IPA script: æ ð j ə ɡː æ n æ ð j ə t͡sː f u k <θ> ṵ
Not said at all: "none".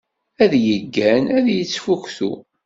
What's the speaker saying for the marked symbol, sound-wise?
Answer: θ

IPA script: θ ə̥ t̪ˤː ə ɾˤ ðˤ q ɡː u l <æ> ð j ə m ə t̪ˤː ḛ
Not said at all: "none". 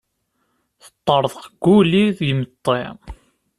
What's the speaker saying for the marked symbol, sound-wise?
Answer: i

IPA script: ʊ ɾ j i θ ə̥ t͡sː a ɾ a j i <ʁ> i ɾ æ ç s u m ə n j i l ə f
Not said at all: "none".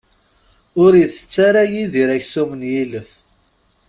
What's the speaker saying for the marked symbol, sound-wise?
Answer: ð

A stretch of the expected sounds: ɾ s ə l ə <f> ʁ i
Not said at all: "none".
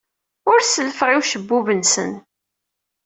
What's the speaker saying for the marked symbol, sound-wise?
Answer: f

